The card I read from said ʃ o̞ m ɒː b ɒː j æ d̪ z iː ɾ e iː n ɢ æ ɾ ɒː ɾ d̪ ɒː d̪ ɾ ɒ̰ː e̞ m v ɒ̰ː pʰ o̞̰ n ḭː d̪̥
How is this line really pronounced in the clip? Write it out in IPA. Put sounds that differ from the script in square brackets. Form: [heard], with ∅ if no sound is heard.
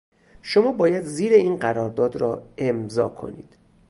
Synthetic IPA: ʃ o̞ m ɒː b ɒː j æ d̪ z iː ɾ e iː n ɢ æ ɾ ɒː ɾ d̪ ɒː d̪ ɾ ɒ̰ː e̞ m [z] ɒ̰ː [kʰ] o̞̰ n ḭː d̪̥